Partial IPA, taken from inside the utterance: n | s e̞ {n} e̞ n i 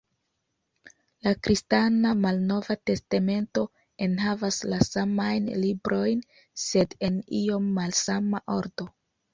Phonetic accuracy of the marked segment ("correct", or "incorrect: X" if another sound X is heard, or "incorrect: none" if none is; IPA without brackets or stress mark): incorrect: d